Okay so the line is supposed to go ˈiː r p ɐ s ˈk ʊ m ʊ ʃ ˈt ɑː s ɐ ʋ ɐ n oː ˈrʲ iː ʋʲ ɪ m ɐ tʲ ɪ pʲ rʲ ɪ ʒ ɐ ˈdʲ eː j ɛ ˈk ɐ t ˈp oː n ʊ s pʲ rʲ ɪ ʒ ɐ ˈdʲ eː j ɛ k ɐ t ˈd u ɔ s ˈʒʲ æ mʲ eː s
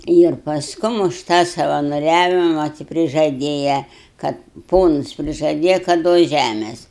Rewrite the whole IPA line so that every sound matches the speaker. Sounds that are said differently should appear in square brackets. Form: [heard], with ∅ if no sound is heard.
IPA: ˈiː r p ɐ s ˈk ʊ m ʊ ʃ ˈt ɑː s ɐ ʋ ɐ n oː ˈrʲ [æː] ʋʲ ɪ m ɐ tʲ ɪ pʲ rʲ ɪ ʒ ɐ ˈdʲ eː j ɛ ˈk ɐ t ˈp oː n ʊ s pʲ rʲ ɪ ʒ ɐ ˈdʲ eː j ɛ k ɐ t ˈd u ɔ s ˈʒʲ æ mʲ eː s